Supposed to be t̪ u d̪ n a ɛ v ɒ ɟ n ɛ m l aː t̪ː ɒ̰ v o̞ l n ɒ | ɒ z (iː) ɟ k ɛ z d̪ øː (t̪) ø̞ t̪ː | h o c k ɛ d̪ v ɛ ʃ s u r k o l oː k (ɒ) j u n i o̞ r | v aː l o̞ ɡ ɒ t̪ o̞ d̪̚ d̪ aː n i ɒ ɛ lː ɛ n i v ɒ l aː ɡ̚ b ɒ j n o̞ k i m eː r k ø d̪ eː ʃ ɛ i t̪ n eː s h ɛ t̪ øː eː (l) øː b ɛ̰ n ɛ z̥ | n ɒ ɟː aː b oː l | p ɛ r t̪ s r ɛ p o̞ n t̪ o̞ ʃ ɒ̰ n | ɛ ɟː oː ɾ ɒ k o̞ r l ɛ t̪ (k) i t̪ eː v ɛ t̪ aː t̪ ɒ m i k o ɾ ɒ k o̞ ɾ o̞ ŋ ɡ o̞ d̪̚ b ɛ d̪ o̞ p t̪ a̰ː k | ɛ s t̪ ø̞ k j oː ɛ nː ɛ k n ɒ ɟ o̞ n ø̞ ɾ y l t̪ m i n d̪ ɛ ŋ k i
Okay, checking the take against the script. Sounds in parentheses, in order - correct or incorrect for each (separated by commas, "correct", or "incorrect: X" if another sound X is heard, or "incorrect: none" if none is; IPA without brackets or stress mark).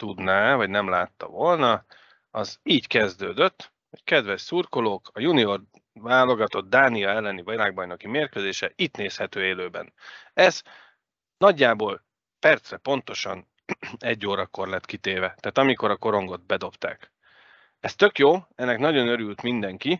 correct, incorrect: d̪, correct, correct, correct